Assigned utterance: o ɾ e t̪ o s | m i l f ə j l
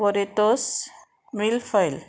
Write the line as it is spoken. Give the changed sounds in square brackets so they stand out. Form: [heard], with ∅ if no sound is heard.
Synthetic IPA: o ɾ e t̪ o s | m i l f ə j l